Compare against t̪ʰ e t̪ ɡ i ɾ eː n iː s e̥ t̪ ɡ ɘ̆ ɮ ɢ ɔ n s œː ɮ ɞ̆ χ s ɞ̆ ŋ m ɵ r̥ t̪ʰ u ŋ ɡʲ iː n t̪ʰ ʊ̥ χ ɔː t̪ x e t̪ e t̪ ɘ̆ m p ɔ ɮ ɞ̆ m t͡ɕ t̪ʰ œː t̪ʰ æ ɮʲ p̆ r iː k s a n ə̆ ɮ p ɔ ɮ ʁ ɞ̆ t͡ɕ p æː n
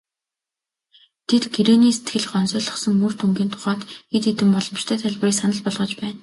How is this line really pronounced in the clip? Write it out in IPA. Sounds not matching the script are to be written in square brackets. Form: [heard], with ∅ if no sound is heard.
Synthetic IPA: t̪ʰ e t̪ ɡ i ɾ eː n iː s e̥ t̪ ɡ ɘ̆ ɮ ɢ ɔ n s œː ɮ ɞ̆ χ s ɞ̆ ŋ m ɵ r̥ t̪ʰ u ŋ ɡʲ iː n t̪ʰ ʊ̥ χ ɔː t̪ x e t̪ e t̪ ɘ̆ m p ɔ ɮ ɞ̆ m t͡ɕ t̪ʰ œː t̪ʰ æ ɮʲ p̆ r iː k s a n ə̆ ɮ p ɔ ɮ ʁ ɞ̆ t͡ɕ p æː n